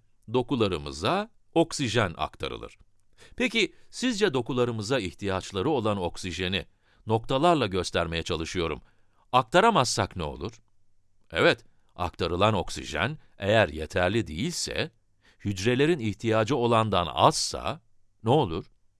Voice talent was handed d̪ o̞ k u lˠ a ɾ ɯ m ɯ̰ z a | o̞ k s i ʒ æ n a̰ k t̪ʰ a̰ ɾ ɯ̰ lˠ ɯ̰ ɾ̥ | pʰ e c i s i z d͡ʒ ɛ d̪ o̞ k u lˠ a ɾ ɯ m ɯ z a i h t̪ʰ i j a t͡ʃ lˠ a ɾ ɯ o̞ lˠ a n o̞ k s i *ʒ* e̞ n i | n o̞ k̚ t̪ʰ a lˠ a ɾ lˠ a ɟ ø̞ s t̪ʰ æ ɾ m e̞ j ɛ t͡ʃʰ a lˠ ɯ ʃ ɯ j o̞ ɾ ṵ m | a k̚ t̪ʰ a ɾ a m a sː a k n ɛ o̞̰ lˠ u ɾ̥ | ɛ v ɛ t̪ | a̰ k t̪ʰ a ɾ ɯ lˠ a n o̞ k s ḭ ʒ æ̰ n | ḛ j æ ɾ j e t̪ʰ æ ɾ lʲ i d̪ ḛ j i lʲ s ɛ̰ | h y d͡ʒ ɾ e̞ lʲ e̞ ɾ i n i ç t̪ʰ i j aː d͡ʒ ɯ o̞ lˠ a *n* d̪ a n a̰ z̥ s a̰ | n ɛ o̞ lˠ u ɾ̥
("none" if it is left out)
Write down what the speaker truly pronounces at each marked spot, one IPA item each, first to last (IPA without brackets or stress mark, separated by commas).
ʒ, n